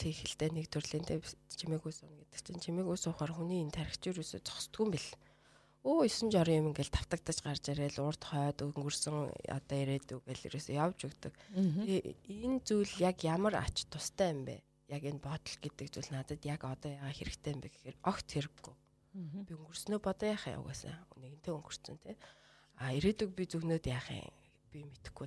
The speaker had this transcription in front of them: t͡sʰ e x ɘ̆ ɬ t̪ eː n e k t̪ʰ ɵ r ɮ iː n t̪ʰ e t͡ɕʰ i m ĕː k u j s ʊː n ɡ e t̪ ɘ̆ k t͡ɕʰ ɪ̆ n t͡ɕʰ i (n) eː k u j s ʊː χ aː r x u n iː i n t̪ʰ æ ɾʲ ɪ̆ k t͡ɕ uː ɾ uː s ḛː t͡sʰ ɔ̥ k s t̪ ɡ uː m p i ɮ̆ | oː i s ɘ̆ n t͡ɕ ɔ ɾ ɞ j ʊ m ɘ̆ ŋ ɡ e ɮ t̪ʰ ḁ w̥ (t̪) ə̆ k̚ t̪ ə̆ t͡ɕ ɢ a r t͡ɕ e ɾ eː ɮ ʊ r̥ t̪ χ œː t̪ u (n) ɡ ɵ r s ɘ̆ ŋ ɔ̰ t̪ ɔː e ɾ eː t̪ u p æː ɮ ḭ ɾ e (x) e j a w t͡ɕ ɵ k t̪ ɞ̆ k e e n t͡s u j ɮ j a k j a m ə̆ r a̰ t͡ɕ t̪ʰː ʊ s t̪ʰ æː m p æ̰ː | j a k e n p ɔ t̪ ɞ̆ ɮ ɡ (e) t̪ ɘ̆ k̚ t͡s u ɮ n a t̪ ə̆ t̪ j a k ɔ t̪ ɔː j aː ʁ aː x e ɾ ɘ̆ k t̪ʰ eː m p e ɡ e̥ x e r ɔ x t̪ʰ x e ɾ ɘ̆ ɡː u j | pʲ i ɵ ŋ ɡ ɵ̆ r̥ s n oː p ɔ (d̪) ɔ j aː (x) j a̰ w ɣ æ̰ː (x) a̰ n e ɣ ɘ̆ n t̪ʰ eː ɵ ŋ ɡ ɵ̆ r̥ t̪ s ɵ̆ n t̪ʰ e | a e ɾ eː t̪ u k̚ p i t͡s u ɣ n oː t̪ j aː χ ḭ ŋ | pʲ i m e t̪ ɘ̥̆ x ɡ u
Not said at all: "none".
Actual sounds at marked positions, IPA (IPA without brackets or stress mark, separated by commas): m, t̪, ŋ, s, e, t̪, χ, s